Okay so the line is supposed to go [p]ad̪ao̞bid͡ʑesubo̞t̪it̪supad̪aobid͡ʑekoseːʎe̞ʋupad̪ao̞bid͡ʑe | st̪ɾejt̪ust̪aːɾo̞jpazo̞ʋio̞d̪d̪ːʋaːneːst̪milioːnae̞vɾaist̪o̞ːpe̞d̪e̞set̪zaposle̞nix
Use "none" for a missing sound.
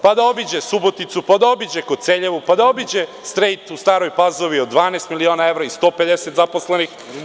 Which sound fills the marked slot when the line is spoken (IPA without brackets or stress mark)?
p